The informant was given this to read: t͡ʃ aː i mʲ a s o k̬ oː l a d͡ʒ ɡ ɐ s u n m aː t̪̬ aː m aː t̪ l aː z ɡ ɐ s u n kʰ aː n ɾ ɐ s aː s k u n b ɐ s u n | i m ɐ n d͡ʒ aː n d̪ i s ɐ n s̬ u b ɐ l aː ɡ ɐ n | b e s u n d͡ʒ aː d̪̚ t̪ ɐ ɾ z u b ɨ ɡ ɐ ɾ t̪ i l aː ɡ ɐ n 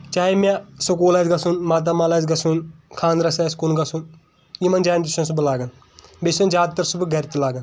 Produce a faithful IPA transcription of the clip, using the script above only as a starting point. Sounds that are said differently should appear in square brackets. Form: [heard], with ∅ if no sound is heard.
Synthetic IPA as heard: t͡ʃ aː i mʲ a s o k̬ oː l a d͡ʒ ɡ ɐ s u n m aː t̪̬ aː m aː [∅] l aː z ɡ ɐ s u n kʰ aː n ɾ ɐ s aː s k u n [ɡ] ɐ s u n | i m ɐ n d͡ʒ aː n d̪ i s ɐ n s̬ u b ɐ l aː ɡ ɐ n | b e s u n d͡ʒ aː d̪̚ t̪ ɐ ɾ [s] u b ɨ ɡ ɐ ɾ t̪ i l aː ɡ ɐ n